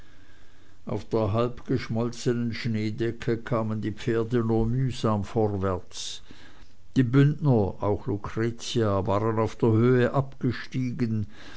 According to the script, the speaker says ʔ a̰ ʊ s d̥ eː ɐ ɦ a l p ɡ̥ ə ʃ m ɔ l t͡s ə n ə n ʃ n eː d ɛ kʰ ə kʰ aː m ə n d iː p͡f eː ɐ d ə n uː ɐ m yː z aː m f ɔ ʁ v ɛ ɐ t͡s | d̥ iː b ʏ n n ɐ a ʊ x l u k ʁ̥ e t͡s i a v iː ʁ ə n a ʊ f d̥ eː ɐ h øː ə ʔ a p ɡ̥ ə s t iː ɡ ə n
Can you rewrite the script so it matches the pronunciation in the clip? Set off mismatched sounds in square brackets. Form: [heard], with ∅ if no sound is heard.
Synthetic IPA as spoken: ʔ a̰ ʊ [f] d̥ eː ɐ ɦ a l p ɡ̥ ə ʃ m ɔ l t͡s ə n ə n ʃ n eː d ɛ kʰ ə kʰ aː m ə n d iː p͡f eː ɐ d ə n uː ɐ m yː z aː m f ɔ ʁ v ɛ ɐ t͡s | d̥ iː b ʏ n n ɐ a ʊ x l u k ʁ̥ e t͡s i a v [aː] ʁ ə n a ʊ f d̥ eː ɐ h øː ə ʔ a p ɡ̥ ə [ʃ] t iː ɡ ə n